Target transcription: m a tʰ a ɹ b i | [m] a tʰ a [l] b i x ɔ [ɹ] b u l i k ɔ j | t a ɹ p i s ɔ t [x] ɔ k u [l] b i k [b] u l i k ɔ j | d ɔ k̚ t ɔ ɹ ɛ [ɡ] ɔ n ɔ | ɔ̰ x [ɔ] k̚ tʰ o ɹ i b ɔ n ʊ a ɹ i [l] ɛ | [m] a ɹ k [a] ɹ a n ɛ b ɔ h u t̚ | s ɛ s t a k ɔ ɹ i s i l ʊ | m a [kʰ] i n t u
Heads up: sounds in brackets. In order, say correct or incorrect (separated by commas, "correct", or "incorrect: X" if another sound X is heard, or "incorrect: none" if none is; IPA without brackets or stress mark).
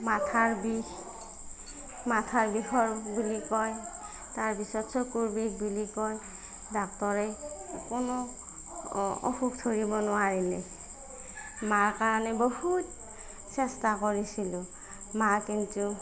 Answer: correct, incorrect: ɹ, correct, incorrect: s, incorrect: ɹ, correct, incorrect: k, incorrect: u, correct, correct, correct, incorrect: k